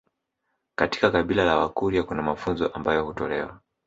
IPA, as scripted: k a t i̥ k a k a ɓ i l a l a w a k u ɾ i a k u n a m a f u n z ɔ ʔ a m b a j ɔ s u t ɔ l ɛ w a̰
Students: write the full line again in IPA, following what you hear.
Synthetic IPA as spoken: k a t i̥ k a k a ɓ i l a l a w a k u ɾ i a k u n a m a f u n z ɔ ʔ a m b a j ɔ h u t ɔ l ɛ w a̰